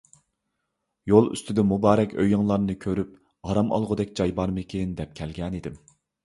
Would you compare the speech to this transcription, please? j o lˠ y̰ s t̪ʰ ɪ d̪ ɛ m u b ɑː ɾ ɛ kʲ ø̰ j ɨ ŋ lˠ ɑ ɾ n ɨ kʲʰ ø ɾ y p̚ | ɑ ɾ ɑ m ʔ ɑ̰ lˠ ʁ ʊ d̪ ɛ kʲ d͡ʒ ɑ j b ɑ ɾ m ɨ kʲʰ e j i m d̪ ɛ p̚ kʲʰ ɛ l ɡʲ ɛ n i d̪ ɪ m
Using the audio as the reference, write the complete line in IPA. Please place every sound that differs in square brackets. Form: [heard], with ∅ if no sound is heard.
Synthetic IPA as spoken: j o lˠ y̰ s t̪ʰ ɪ d̪ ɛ m u b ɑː ɾ ɛ kʲ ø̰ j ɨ ŋ lˠ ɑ ɾ n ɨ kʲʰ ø ɾ y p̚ | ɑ ɾ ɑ m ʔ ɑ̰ lˠ ʁ ʊ d̪ ɛ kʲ d͡ʒ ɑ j b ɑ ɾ m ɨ kʲʰ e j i [n] d̪ ɛ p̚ kʲʰ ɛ l ɡʲ ɛ n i d̪ ɪ m